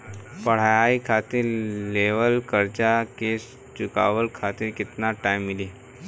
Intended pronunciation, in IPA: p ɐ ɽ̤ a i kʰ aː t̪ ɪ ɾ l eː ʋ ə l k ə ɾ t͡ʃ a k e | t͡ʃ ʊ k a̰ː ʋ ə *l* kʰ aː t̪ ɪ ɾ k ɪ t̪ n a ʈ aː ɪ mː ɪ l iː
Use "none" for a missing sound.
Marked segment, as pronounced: l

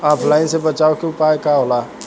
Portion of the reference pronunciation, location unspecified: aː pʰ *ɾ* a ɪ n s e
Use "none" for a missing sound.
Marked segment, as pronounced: l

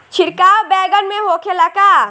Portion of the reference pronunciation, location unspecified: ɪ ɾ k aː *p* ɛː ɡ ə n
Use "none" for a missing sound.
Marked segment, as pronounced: b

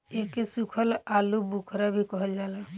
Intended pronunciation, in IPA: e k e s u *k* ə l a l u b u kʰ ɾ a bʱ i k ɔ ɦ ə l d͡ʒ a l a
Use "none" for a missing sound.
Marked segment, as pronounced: kʰ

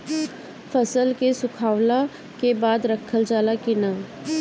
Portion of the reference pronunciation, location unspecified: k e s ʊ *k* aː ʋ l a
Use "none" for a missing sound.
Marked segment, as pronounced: kʰ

